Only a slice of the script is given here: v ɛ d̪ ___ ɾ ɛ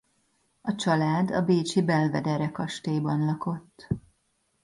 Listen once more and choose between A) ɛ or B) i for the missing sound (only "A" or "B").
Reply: A